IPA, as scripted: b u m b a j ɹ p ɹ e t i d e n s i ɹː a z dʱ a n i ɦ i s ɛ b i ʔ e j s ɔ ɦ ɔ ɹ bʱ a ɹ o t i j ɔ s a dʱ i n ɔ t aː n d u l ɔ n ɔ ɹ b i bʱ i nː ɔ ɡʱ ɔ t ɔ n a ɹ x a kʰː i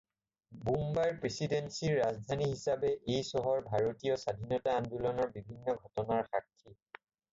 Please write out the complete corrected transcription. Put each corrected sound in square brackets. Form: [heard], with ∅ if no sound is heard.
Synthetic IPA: b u m b a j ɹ p ɹ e [s] i d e n s i ɹː a z dʱ a n i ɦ i s [a] b [ɛ] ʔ e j s ɔ ɦ ɔ ɹ bʱ a ɹ o t i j ɔ s a dʱ i n ɔ t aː n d u l ɔ n ɔ ɹ b i bʱ i nː ɔ ɡʱ ɔ t ɔ n a ɹ x a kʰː i

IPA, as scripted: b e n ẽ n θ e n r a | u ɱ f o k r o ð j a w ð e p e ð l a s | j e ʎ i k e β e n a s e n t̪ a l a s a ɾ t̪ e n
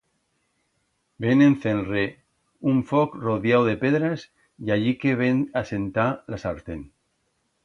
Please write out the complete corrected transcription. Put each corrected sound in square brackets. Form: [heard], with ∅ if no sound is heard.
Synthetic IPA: b e n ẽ n θ e n r [e] | u ɱ f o k r o ð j a w ð e p e ð [ɾ] a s | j [a] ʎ i k e β e n a s e n t̪ a l a s a ɾ t̪ e n

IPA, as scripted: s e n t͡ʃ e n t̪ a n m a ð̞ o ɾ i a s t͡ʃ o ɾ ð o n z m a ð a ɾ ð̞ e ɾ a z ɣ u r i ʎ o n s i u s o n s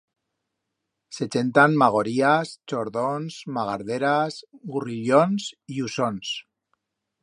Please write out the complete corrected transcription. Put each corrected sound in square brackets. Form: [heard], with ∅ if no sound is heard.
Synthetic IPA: s e [∅] t͡ʃ e n t̪ a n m a [ɣ̞] o ɾ i a s t͡ʃ o ɾ ð o n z m a [ɣ] a ɾ ð̞ e ɾ a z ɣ u r i ʎ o n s i u s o n s

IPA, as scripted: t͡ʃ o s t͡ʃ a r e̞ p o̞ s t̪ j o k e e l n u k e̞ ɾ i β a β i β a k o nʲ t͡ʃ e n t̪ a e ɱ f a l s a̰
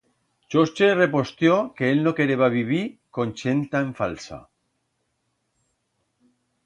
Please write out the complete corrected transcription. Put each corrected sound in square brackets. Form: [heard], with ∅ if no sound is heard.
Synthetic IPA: t͡ʃ o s t͡ʃ [e] r e̞ p o̞ s t̪ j o k e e l n [o] k e̞ ɾ [e] β a β i β [i] k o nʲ t͡ʃ e n t̪ a e ɱ f a l s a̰

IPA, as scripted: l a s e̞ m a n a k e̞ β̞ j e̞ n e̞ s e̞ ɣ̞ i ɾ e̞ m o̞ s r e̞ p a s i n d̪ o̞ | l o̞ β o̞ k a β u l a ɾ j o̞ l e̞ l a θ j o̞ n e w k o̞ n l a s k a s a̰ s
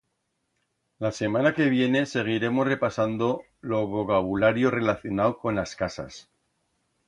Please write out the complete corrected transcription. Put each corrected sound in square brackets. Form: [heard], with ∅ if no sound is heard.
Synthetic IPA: l a s e̞ m a n a k e̞ β̞ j e̞ n e̞ s e̞ ɣ̞ i ɾ e̞ m o̞ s r e̞ p a s [a] n d̪ o̞ | l o̞ β o̞ k a β u l a ɾ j o̞ [r] e̞ l a θ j o̞ n [a] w k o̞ n l a s k a s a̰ s

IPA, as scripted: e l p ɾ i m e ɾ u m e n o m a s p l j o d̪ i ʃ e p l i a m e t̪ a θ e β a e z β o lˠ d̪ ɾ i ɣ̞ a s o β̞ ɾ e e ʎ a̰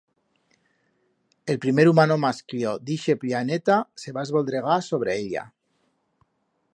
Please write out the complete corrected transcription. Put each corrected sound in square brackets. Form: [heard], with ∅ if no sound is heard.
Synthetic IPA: e l p ɾ i m e ɾ u m [a] n o m a s [k] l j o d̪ i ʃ e p l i a [n] e t̪ a [s] e β a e z β o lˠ d̪ ɾ [e] ɣ̞ a s o β̞ ɾ e e ʎ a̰

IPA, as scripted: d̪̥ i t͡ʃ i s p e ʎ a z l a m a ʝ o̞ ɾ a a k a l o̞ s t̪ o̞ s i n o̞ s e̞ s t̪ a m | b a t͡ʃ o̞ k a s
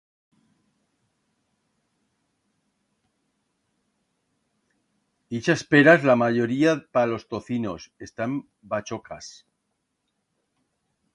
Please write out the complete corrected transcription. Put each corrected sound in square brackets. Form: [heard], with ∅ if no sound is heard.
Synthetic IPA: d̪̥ i t͡ʃ [a] s p e [ɾ] a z l a m a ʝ o̞ ɾ [i] a [p] a l o̞ s t̪ o̞ [θ] i n o̞ s e̞ s t̪ a m | b a t͡ʃ o̞ k a s

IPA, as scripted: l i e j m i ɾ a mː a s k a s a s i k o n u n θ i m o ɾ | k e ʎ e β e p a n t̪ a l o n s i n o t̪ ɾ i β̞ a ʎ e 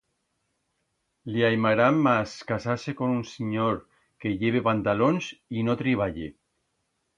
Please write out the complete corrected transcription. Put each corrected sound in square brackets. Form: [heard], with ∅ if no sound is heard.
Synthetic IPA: l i [a] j m [a] ɾ a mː a s k a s a s [e] k o n u n [s] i [ɲ] o ɾ | k e ʎ e β e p a n t̪ a l o n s i n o t̪ ɾ i β̞ a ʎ e

